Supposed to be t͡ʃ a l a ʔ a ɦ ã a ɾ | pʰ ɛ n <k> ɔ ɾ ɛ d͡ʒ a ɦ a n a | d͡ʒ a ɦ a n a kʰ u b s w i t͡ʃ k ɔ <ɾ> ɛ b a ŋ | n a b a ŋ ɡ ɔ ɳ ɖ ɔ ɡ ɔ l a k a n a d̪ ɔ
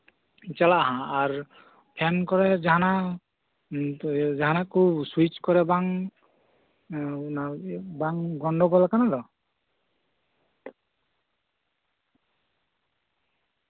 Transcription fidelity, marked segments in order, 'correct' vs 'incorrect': correct, correct

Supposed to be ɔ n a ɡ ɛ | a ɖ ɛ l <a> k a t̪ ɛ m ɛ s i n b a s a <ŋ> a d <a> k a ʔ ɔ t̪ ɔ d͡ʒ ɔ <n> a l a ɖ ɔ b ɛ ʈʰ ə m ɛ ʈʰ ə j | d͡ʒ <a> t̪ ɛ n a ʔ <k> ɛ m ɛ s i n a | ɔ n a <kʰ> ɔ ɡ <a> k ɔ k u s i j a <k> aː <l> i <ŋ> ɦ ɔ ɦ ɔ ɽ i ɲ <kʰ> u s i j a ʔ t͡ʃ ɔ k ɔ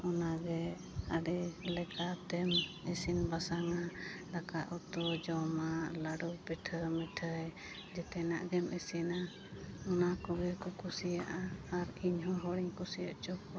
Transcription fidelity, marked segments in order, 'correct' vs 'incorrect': incorrect: ɛ, correct, correct, incorrect: m, incorrect: ɛ, incorrect: ɡ, incorrect: k, incorrect: ɛ, incorrect: ʔ, incorrect: ɾ, incorrect: ɲ, incorrect: k

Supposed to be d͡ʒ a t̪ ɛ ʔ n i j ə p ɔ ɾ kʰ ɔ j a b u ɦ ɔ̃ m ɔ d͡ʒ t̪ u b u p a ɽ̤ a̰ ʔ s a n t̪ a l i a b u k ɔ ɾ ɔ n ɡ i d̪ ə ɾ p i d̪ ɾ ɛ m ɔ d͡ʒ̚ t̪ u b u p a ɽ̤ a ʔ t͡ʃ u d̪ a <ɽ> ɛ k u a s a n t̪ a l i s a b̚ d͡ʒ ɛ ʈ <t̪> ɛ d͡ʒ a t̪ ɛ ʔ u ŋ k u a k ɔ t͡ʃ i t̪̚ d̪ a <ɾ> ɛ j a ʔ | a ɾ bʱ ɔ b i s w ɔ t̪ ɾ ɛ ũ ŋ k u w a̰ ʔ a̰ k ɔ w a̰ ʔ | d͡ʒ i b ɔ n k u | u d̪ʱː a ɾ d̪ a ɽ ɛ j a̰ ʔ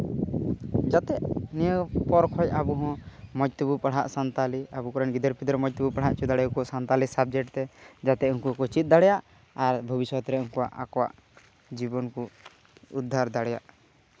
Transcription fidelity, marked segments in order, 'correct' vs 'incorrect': correct, correct, incorrect: ɽ

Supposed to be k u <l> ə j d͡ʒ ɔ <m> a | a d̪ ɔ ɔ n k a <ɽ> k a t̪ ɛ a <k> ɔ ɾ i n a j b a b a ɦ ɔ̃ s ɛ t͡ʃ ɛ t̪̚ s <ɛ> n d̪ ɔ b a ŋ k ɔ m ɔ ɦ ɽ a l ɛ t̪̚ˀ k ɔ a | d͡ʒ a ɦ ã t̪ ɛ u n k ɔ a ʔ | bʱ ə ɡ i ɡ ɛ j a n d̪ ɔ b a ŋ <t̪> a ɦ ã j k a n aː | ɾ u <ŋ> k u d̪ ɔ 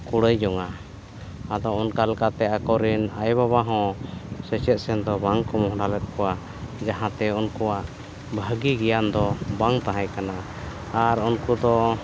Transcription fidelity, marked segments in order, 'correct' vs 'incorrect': incorrect: ɽ, incorrect: ŋ, incorrect: l, correct, correct, correct, incorrect: n

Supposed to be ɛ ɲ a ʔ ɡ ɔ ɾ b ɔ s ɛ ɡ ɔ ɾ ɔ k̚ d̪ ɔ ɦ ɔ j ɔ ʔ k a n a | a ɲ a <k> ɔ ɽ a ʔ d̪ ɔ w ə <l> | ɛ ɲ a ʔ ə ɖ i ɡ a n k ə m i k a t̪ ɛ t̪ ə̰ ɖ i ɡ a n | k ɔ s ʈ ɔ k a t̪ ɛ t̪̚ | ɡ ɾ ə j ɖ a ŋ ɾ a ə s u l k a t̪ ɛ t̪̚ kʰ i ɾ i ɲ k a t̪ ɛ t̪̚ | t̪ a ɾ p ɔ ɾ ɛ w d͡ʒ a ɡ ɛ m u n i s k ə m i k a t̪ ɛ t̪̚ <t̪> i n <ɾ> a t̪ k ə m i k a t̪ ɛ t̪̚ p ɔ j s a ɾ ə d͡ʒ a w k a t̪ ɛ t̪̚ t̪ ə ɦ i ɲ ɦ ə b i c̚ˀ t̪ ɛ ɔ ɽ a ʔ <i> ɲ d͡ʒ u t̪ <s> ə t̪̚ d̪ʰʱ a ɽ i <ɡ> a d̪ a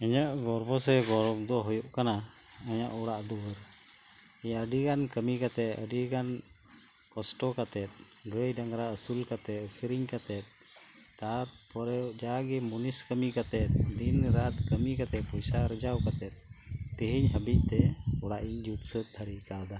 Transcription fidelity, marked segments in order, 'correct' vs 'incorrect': incorrect: ʔ, incorrect: ɾ, incorrect: d̪, correct, correct, correct, incorrect: k

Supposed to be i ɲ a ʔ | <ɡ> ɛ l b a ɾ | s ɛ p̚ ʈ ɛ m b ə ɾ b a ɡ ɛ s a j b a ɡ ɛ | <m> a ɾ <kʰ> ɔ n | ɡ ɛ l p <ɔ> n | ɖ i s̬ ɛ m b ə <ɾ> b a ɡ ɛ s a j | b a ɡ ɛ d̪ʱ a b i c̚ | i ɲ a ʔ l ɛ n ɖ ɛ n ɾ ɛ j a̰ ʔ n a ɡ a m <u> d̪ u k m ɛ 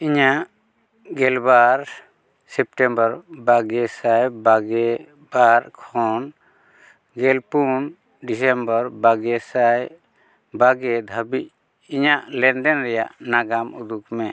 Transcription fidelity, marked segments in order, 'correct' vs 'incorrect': correct, incorrect: b, correct, incorrect: u, correct, correct

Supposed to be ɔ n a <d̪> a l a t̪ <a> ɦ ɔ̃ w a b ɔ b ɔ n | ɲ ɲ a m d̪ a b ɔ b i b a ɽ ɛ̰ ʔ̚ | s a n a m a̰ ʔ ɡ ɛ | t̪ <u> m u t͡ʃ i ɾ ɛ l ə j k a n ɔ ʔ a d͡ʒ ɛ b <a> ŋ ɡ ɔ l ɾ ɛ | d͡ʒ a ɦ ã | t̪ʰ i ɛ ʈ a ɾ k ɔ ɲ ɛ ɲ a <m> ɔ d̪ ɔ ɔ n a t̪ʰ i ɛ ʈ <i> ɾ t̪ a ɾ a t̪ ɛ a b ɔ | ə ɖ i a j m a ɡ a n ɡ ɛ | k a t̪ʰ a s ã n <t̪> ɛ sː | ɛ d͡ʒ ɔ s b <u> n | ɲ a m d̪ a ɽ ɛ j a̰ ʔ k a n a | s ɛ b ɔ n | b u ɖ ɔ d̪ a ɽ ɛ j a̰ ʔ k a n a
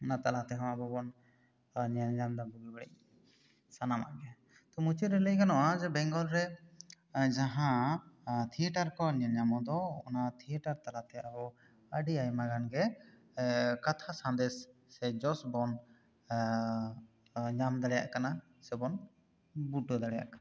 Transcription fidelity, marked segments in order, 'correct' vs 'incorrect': incorrect: t̪, incorrect: ɛ, incorrect: ɔ, incorrect: ɛ, correct, incorrect: a, incorrect: d̪, incorrect: ɔ

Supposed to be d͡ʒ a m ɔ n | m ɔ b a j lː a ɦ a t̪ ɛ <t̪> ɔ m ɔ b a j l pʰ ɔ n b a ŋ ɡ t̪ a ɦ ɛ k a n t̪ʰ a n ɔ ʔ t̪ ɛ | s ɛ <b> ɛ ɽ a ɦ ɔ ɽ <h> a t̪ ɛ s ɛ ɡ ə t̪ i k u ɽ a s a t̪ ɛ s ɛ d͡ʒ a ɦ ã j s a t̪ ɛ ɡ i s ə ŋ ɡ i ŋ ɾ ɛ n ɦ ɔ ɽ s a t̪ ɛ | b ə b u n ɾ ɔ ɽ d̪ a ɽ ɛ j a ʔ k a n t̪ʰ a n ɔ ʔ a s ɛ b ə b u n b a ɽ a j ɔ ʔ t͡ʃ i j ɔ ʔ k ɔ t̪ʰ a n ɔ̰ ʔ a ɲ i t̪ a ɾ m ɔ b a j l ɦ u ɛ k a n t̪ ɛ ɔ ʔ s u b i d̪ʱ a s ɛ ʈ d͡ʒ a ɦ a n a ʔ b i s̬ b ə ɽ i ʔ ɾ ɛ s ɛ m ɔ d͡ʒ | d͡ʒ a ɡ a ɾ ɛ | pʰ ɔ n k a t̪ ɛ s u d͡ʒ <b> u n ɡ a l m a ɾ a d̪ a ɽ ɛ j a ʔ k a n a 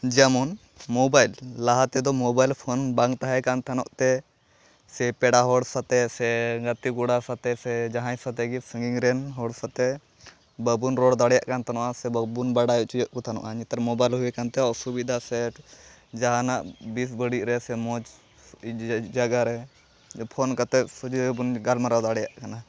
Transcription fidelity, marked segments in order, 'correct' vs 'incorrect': incorrect: d̪, incorrect: p, incorrect: s, correct

